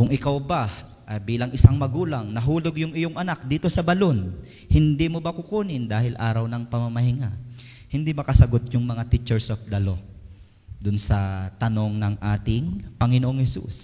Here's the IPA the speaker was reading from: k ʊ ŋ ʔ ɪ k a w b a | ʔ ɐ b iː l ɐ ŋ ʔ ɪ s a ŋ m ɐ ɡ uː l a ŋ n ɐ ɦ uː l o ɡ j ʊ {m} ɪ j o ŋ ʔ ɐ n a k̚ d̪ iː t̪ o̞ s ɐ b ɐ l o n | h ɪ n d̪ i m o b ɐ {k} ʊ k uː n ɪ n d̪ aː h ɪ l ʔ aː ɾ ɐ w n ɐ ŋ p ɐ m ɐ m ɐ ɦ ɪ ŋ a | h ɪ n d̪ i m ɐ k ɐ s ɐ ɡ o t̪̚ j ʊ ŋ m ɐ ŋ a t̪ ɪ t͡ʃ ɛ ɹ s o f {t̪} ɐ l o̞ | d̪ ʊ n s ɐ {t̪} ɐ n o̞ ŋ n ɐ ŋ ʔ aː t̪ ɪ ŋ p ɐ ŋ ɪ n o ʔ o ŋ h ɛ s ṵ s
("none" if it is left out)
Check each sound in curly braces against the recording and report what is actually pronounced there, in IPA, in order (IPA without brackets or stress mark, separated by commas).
ŋ, k, d̪, t̪